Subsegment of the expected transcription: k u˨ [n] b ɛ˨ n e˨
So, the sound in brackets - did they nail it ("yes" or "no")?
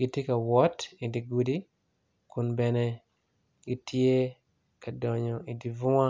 yes